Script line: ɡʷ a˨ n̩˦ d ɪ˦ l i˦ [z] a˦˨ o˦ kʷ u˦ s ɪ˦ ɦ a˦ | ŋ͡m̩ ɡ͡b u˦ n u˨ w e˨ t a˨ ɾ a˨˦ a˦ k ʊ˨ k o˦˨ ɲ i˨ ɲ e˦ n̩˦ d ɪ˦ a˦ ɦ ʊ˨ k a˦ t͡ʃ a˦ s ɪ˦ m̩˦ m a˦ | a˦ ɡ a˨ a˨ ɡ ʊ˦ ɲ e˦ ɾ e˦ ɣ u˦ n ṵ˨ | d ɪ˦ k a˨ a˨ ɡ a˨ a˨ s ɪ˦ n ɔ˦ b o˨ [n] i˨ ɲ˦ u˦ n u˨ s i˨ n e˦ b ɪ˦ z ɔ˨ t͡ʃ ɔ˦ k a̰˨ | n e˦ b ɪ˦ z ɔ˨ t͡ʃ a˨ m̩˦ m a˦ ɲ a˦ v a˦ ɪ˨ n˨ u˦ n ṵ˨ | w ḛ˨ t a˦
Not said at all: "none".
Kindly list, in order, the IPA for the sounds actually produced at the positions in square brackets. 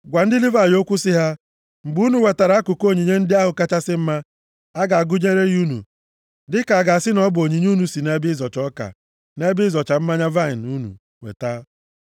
v, ɲ

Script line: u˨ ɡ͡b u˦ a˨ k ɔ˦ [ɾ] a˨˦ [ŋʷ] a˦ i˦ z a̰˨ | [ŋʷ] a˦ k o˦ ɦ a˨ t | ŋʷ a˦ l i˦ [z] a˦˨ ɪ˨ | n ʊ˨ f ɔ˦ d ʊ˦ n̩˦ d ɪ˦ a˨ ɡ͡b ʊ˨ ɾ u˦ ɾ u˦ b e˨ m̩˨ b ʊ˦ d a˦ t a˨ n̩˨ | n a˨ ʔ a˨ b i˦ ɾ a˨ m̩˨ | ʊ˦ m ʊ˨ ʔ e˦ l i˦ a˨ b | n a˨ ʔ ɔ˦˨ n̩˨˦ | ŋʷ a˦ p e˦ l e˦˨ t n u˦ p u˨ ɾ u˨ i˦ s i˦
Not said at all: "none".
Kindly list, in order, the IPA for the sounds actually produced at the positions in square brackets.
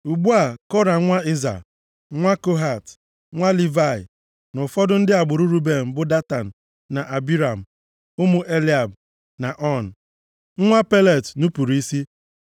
ɾ, ŋʷ, ŋʷ, v

